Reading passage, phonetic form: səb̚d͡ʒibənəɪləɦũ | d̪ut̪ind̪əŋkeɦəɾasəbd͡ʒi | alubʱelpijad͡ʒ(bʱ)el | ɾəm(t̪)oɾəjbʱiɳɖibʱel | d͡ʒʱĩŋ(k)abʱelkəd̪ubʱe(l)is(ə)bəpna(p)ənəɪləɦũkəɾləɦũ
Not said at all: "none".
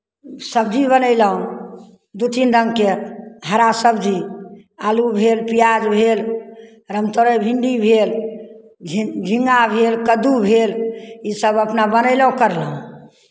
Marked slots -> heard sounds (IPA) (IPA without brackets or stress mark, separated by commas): bʱ, t̪, ɡ, l, ə, b